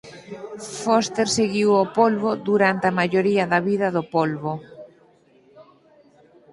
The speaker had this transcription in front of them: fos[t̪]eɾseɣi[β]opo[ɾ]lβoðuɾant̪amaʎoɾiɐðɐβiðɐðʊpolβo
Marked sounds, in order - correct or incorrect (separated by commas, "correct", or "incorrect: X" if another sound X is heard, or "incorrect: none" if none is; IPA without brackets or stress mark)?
correct, incorrect: w, incorrect: none